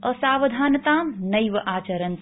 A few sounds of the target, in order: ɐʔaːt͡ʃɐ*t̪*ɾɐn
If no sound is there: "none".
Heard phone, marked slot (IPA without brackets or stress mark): none